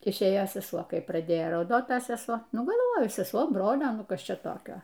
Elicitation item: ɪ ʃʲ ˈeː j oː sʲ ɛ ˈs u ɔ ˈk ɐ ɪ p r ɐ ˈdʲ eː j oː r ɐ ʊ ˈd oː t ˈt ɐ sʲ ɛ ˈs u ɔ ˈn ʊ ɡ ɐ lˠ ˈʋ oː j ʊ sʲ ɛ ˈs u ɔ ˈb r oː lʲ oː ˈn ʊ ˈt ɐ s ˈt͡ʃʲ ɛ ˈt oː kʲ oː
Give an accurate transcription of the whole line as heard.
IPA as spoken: ɪ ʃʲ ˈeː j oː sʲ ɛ ˈs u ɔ ˈk ɐ ɪ p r ɐ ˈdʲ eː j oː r ɐ ʊ ˈd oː t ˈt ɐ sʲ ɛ ˈs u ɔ ˈn ʊ ɡ ɐ lˠ ˈʋ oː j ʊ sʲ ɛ ˈs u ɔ ˈb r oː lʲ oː ˈn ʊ ˈk ɐ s ˈt͡ʃʲ ɛ ˈt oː kʲ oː